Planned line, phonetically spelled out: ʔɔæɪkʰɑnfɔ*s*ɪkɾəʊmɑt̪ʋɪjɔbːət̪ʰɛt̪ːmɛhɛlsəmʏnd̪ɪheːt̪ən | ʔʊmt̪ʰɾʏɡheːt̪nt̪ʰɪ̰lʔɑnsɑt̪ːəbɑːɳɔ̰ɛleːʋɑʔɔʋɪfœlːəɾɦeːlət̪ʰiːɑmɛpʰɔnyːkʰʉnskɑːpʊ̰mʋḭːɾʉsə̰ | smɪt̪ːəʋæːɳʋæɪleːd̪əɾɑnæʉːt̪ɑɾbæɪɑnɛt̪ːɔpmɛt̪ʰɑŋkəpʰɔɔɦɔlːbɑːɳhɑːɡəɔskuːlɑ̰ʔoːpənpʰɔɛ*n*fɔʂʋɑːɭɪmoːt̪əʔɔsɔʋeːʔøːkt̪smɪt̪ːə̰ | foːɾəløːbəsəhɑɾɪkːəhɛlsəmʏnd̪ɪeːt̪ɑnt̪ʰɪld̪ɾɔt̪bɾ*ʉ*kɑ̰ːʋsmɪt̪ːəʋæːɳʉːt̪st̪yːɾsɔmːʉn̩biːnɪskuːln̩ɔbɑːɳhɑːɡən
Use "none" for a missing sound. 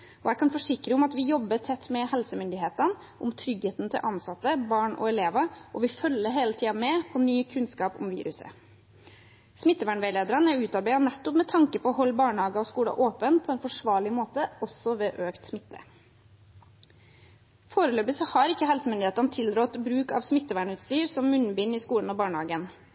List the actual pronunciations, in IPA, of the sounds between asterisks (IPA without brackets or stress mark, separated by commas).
ʂ, n, ʉː